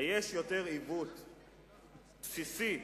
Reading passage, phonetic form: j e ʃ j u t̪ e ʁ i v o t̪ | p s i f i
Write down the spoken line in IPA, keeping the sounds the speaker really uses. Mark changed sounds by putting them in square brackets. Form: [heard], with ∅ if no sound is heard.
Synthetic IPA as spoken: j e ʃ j [o] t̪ e ʁ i v [u] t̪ | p s i [s] i